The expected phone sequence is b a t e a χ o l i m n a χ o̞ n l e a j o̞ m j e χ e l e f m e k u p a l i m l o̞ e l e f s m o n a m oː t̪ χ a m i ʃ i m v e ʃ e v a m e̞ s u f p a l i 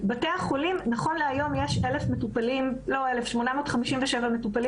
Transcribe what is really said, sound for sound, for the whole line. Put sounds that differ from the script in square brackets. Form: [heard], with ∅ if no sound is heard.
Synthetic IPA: b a t e a χ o l i m n a χ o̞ n l e a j o̞ m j e [ʃ] e l e f m e [t] u p a l i m l o̞ e l e f [ʃ] m o n a m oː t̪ χ a m i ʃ i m v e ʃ e v a m e̞ [t] u [∅] p a l i